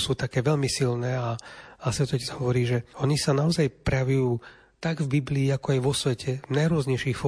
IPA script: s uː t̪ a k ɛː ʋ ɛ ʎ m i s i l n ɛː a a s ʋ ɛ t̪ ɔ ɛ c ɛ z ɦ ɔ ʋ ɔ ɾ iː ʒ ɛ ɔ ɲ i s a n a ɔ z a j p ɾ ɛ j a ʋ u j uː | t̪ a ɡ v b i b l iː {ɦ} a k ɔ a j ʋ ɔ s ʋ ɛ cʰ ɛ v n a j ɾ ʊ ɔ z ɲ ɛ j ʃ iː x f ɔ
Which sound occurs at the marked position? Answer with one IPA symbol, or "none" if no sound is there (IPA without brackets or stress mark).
none